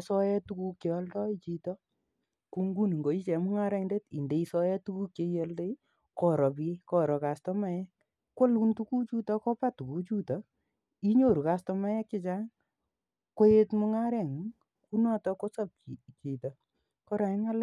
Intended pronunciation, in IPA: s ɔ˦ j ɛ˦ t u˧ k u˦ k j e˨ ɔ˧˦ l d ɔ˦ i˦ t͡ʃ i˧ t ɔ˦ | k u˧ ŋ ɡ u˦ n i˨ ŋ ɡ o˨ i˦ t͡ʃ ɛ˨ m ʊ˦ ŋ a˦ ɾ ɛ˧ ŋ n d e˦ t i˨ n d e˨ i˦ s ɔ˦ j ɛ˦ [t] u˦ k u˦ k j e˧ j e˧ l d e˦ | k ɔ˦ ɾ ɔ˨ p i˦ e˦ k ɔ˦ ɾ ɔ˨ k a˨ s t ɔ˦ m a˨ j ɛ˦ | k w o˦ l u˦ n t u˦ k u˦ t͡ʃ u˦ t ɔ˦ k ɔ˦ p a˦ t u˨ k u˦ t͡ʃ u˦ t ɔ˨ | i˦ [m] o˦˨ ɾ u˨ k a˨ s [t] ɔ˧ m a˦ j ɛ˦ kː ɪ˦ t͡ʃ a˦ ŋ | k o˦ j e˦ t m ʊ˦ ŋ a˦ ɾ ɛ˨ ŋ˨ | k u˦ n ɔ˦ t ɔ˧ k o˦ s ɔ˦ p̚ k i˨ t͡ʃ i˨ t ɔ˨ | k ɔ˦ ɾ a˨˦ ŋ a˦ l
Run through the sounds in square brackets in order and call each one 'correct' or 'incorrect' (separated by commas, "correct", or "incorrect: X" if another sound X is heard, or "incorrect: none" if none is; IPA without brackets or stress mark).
correct, incorrect: ɲ, correct